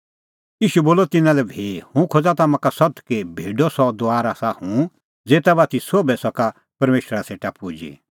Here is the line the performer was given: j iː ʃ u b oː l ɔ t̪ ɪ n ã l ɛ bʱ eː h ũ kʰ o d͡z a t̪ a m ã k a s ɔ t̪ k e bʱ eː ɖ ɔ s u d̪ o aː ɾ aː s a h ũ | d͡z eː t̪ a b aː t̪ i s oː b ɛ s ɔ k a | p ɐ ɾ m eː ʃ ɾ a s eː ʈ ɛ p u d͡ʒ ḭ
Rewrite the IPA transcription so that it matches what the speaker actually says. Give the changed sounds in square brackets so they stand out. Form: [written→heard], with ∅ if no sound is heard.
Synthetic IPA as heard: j iː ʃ u b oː l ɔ t̪ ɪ n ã l ɛ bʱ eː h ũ kʰ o d͡z a t̪ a m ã k a s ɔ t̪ k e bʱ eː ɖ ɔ s [u→ɔ] d̪ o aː ɾ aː s a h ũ | d͡z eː t̪ a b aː t̪ i s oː b ɛ s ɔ k a | p ɐ ɾ m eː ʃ ɾ a s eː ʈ [ɛ→a] p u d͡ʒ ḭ